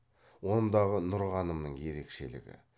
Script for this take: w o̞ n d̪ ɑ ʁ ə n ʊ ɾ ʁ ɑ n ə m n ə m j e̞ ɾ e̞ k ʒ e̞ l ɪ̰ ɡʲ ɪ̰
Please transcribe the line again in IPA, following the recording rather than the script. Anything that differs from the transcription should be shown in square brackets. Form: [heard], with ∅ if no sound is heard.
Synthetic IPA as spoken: w o̞ n d̪ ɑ ʁ ə n ʊ ɾ ʁ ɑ n ə m n ə [ɴ] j e̞ ɾ e̞ k [ʃ] e̞ l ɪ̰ ɡʲ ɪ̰